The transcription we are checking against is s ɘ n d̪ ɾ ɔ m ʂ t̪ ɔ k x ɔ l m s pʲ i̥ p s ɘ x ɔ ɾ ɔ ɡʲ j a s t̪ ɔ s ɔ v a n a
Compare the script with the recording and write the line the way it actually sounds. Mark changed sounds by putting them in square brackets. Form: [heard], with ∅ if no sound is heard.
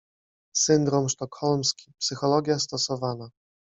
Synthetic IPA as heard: s ɘ n d̪ ɾ ɔ m ʂ t̪ ɔ k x ɔ l m s [kʲ] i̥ p s ɘ x ɔ [l] ɔ ɡʲ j a s t̪ ɔ s ɔ v a n a